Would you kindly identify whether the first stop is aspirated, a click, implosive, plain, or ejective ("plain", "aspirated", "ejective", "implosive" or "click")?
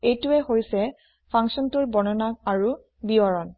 plain